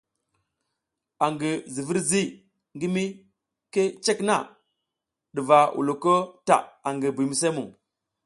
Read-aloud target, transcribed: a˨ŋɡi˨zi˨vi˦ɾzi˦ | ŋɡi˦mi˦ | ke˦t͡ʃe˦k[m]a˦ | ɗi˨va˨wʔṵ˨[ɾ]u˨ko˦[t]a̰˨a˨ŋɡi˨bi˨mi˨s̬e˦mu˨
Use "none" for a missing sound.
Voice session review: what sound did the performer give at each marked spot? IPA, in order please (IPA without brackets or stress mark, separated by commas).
n, l, t